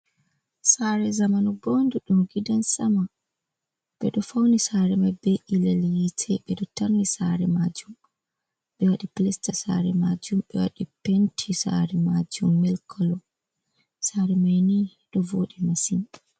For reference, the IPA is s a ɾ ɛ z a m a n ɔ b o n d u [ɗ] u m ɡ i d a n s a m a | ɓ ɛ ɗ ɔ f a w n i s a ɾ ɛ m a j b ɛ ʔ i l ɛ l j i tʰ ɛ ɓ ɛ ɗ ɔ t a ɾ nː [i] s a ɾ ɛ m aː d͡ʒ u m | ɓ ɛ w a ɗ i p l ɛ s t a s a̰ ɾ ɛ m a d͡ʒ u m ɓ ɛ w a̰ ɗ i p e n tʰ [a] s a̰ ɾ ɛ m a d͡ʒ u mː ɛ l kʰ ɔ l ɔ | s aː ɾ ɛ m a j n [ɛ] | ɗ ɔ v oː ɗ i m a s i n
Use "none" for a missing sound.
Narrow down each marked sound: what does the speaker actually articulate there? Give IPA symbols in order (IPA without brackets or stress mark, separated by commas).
ɗ, i, i, i